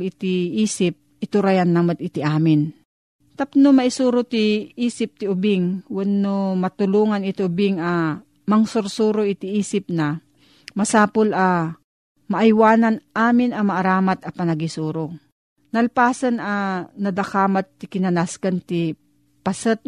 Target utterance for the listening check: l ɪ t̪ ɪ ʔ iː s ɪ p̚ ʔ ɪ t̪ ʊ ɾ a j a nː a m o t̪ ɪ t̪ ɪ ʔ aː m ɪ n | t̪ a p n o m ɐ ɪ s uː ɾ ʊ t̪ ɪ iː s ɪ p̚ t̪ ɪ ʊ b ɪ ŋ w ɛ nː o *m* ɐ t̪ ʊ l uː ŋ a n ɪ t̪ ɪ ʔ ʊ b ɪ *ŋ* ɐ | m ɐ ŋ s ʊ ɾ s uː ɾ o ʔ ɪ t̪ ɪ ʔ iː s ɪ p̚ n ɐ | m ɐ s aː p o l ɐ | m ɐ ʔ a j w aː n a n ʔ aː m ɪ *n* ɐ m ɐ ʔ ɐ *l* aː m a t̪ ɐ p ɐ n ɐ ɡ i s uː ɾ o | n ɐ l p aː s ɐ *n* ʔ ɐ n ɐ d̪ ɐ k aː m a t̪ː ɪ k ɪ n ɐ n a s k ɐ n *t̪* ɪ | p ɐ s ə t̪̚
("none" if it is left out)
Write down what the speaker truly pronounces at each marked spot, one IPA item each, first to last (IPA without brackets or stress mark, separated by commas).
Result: m, ŋ, n, ɾ, n, t̪